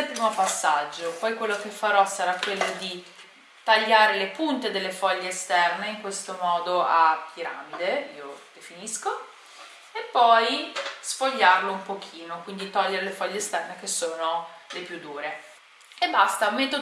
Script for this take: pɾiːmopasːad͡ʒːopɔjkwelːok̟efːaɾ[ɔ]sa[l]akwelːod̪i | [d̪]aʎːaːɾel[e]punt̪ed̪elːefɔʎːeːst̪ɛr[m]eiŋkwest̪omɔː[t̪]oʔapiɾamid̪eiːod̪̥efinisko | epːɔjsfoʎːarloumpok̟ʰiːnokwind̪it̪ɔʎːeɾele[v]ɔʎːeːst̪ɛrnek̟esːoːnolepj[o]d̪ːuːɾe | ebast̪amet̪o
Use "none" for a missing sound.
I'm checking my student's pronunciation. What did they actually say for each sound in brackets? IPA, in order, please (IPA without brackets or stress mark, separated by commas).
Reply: ɔ, ɾ, t̪, e, n, d̪, f, u